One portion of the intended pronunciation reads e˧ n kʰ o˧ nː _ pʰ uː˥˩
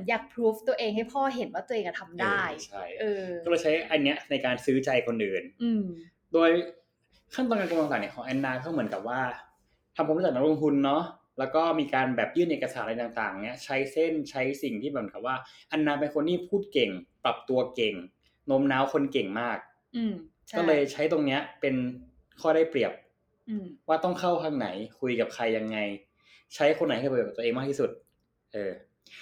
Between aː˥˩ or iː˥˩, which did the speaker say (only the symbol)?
iː˥˩